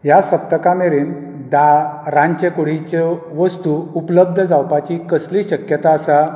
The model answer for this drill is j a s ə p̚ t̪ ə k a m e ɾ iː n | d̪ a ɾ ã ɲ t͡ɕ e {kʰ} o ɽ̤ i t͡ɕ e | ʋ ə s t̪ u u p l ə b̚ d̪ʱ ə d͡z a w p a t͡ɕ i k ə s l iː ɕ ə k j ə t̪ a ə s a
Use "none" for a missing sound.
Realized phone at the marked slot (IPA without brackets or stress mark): k